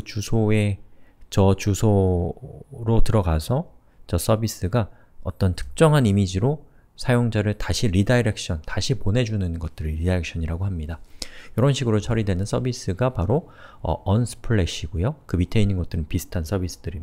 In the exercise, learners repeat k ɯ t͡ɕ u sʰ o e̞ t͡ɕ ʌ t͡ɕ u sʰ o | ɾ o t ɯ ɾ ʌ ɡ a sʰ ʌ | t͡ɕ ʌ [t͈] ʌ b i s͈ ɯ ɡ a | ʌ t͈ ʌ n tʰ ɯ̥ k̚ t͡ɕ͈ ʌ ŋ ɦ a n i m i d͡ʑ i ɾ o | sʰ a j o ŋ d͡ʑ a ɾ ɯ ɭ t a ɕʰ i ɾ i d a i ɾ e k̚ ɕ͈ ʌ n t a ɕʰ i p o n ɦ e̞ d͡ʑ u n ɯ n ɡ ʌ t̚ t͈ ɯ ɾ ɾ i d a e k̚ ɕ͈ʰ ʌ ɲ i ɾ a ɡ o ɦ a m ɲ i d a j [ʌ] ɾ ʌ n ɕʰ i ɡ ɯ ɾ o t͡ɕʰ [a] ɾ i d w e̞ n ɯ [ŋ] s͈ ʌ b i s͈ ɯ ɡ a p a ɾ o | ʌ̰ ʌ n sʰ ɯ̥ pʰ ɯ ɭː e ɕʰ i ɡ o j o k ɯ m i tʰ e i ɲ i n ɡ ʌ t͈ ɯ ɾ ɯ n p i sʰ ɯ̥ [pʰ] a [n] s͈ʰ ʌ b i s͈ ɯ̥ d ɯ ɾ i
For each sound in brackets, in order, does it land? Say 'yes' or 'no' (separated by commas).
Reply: no, yes, no, no, no, yes